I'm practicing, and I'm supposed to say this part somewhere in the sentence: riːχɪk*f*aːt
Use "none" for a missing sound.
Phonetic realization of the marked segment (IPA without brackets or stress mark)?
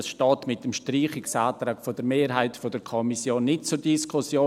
s